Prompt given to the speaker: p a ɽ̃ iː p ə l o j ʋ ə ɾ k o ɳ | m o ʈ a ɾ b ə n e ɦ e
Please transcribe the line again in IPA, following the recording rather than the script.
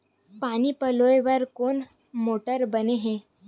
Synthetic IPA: p a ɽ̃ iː p ə l o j ʋ ə ɾ k o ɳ | m o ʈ ə ɾ b ə n e ɦ e